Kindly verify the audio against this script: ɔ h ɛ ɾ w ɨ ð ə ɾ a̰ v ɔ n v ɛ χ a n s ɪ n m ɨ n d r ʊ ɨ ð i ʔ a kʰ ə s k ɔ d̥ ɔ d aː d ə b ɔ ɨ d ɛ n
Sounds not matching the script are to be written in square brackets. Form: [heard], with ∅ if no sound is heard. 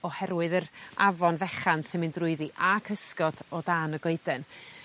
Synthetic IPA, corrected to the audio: ɔ h ɛ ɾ w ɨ ð ə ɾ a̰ v ɔ n v ɛ χ a n s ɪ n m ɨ n d r ʊ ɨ ð i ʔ a kʰ ə s k ɔ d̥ ɔ d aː [n] ə [ɡ] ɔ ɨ d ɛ n